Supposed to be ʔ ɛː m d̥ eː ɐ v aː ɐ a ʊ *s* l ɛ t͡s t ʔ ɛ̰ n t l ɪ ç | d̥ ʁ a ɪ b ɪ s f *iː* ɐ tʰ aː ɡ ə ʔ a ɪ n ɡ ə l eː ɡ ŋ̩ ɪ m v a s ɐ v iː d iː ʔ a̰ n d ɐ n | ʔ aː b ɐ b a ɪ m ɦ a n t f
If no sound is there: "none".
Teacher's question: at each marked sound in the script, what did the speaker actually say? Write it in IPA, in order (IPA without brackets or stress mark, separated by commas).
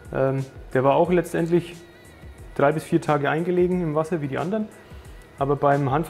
x, iː